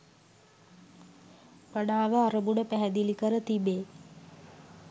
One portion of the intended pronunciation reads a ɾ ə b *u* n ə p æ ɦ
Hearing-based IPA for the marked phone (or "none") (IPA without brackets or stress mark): u